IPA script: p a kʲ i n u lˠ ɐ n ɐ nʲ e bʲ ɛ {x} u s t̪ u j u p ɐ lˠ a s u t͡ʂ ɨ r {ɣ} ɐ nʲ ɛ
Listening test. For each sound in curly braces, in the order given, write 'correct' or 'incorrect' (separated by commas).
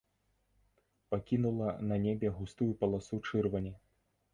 incorrect, incorrect